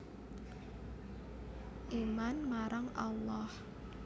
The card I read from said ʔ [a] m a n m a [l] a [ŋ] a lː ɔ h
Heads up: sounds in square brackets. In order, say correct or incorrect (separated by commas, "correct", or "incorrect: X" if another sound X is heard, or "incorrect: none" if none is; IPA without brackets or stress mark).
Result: incorrect: i, incorrect: ɾ, correct